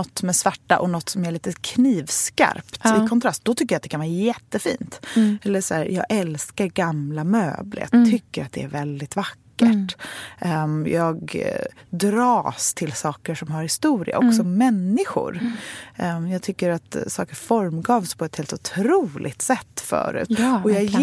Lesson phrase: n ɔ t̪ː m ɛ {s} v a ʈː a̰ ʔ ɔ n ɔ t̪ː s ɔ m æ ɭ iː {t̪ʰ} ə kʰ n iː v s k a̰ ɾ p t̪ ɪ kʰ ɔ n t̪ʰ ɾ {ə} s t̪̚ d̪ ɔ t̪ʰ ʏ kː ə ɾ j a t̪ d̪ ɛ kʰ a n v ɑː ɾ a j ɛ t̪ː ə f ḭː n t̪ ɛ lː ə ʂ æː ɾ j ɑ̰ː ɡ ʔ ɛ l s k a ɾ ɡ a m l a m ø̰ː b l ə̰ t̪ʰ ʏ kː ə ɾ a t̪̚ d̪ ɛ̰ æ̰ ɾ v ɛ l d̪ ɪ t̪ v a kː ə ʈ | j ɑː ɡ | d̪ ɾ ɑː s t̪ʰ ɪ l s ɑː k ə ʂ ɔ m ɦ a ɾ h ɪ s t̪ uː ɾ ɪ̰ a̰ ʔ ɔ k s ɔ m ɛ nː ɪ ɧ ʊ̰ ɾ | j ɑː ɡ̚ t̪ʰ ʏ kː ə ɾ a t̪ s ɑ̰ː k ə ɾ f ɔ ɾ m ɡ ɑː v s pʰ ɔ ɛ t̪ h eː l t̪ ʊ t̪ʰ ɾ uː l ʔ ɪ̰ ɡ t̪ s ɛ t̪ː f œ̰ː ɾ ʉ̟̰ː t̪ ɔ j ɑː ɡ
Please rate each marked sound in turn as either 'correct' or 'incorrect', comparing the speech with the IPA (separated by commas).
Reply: correct, incorrect, incorrect